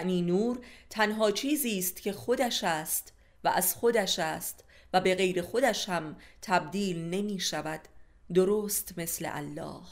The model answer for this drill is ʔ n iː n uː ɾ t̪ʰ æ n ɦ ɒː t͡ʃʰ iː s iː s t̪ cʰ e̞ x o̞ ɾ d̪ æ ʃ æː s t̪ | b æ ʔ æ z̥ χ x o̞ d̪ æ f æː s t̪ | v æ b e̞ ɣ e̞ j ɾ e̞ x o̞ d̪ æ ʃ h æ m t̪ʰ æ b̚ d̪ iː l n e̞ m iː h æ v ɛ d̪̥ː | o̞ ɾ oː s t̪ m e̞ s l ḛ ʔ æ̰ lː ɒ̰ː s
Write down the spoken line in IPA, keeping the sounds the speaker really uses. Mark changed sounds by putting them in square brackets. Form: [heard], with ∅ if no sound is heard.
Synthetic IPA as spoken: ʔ n iː n uː ɾ t̪ʰ æ n ɦ ɒː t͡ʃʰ iː [z] iː s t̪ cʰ e̞ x o̞ [∅] d̪ æ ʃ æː s t̪ | [v] æ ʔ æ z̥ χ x o̞ d̪ æ [ʃ] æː s t̪ | v æ b e̞ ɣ e̞ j ɾ e̞ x o̞ d̪ æ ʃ h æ m t̪ʰ æ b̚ d̪ iː l n e̞ m iː [ʃ] æ v [æ] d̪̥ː | o̞ ɾ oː s t̪ m e̞ s l ḛ ʔ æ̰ lː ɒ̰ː [h]